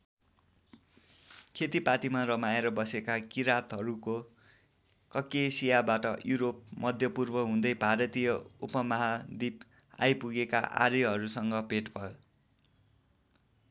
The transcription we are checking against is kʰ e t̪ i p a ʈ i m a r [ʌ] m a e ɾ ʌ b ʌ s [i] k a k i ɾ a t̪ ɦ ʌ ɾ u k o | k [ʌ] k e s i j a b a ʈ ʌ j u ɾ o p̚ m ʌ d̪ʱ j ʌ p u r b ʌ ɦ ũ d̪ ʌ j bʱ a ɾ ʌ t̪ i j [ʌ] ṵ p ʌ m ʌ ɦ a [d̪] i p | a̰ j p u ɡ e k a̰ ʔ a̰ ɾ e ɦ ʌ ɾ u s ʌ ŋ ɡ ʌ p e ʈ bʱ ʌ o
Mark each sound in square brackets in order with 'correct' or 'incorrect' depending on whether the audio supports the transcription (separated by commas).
correct, incorrect, correct, correct, correct